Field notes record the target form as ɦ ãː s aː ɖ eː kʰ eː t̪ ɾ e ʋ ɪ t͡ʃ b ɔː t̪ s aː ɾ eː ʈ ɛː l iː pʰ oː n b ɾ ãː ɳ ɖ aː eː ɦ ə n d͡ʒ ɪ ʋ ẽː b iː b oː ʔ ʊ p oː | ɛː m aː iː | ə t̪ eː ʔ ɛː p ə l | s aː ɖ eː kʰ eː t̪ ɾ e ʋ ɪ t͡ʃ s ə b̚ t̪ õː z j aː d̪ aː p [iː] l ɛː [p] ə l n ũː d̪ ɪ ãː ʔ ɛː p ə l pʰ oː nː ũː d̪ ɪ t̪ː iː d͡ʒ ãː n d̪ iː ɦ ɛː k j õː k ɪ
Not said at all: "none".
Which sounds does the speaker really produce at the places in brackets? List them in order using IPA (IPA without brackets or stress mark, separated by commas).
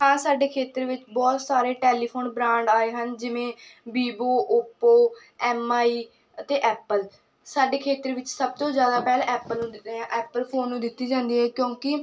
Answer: ɛː, p